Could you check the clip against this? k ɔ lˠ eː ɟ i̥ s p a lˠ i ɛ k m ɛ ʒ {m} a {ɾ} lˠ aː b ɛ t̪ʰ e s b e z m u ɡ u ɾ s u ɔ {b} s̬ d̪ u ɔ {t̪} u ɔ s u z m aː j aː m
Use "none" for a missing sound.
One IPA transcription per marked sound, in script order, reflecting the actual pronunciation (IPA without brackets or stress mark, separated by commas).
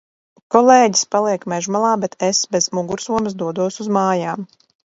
m, none, m, d̪